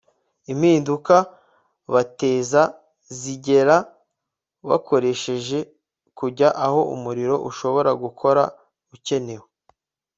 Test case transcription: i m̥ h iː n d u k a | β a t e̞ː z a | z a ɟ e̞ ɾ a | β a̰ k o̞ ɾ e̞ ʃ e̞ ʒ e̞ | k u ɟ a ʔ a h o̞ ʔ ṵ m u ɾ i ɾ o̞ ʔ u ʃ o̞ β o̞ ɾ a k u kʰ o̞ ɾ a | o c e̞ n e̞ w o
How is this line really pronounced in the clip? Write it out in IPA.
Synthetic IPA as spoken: i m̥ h iː n d u k a | β a t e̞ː z a | z i ɟ e̞ ɾ a | β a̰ k o̞ ɾ e̞ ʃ e̞ ʒ e̞ | k u ɟ a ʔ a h o̞ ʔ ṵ m u ɾ i ɾ o̞ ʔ u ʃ o̞ β o̞ ɾ a ɡ u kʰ o̞ ɾ a | u c e̞ n e̞ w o

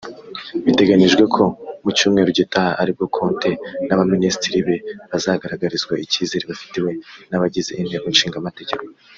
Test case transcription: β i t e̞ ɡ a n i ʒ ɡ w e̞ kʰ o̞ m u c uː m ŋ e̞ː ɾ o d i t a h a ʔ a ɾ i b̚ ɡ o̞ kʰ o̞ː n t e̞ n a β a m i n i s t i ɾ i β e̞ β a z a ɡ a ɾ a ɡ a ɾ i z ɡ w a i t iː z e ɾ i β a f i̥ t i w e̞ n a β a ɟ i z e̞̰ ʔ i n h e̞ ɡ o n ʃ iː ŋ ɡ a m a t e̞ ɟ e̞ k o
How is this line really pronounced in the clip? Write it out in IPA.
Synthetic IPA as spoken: β i t e̞ ɡ a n i ʒ ɡ w e̞ kʰ o̞ m u c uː m ŋ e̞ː ɾ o ɟ i t a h a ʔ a ɾ i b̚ ɡ o̞ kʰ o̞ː n t e̞ n a β a m i n i s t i ɾ i β e̞ β a z a ɡ a ɾ a ɡ a ɾ i z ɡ w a i c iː z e ɾ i β a f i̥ t i w e̞ n a β a ɟ i z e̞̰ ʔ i n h e̞ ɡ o n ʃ iː ŋ ɡ a m a t e̞ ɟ e̞ k o

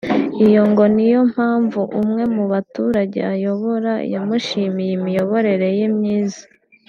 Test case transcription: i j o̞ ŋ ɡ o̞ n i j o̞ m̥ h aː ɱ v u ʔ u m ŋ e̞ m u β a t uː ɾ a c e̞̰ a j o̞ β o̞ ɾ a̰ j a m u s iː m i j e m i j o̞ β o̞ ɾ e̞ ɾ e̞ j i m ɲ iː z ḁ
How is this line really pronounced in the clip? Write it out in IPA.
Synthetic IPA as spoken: i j o̞ ŋ ɡ o̞ n i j o̞ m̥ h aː ɱ v u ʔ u m ŋ e̞ m u β a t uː ɾ a ɟ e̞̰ a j o̞ β o̞ ɾ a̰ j a m u ʃ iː m i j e m i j o̞ β o̞ ɾ e̞ ɾ e̞ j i m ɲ iː z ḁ

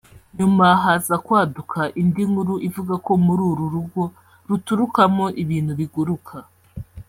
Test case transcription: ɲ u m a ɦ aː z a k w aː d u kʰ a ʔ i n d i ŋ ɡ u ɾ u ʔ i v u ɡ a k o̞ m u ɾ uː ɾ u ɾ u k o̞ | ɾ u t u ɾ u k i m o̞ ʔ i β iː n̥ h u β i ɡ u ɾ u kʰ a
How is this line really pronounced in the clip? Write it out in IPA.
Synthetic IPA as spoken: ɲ u m a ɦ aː z a k w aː d u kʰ a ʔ i n d i ŋ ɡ u ɾ u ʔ i v u ɡ a k o̞ m u ɾ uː ɾ u ɾ u ɡ o̞ | ɾ u t u ɾ u k a m o̞ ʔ i β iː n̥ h u β i ɡ u ɾ u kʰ a

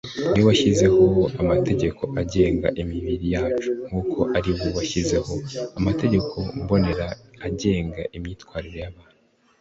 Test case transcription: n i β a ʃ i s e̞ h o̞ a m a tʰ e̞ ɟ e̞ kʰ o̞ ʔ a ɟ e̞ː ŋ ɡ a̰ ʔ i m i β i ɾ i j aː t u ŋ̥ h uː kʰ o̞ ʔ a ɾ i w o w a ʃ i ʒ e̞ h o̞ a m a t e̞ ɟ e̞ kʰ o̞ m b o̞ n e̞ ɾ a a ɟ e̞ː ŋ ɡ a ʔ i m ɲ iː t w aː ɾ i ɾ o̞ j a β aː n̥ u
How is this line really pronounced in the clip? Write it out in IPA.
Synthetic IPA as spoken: n i w a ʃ i z e̞ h o̞ a m a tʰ e̞ ɟ e̞ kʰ o̞ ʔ a ɟ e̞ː ŋ ɡ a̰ ʔ i m i β i ɾ i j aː t͡ʃ u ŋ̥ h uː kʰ o̞ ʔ a ɾ i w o w a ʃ i z e̞ h o̞ a m a t e̞ ɟ e̞ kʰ o̞ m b o̞ n e̞ ɾ a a ɟ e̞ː ŋ ɡ a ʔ i m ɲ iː t w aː ɾ i ɾ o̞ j a β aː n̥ u

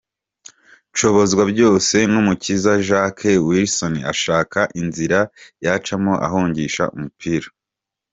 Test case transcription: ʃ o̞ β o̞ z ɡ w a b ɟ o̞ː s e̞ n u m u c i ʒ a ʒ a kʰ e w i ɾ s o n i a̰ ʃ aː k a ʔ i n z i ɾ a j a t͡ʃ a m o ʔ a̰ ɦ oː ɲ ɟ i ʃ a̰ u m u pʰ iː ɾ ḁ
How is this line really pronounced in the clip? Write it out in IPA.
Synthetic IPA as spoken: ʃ o̞ β o̞ z ɡ w a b ɟ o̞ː s e̞ n u m u c i z a ʒ a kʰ e w i ɾ s o n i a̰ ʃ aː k a ʔ i n z i ɾ a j a t͡ʃ a m o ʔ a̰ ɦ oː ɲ ɟ i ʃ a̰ u m u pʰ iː ɾ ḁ

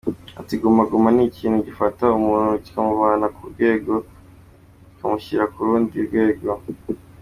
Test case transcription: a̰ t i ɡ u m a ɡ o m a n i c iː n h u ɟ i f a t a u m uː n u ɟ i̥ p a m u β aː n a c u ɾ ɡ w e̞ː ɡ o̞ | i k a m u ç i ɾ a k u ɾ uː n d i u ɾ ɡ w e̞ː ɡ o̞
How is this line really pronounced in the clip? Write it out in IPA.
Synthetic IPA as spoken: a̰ t i ɡ u m a ɡ u m a n i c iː n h u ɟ i f a t a u m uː n u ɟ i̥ k a m u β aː n a k u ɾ ɡ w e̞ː ɡ o̞ | i k a m u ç i ɾ a k u ɾ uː n d i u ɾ ɡ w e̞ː ɡ o̞

